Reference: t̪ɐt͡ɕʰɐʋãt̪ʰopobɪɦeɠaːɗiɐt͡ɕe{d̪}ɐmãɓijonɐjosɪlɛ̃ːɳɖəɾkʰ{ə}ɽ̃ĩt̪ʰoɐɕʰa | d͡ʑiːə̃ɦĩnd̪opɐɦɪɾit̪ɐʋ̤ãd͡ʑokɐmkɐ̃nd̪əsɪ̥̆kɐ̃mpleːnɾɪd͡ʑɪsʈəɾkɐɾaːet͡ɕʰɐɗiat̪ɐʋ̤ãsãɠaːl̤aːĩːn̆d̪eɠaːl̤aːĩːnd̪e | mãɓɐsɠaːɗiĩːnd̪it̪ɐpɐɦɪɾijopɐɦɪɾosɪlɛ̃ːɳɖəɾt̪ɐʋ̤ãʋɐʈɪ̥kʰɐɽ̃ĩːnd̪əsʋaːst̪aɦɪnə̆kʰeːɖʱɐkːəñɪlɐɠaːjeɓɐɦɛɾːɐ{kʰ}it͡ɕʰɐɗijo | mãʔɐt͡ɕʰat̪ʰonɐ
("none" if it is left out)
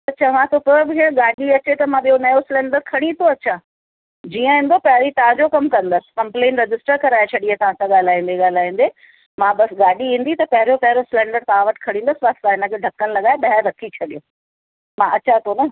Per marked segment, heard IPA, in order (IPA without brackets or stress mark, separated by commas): t̪, ɐ, kʰ